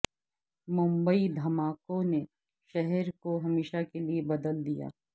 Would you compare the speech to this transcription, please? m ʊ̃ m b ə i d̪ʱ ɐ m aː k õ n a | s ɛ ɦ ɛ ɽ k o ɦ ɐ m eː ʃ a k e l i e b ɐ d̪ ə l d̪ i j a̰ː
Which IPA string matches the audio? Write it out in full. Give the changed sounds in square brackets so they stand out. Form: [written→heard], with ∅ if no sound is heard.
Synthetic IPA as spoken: m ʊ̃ m b ə i d̪ʱ ɐ m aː k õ n [a→e] | [s→ʃ] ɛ ɦ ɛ [ɽ→ɾ] k o ɦ ɐ m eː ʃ a k e l i e b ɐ d̪ ə l d̪ i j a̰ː